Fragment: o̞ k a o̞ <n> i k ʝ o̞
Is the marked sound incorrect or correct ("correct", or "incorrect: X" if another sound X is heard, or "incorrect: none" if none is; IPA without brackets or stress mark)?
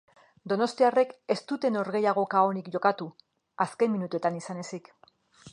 correct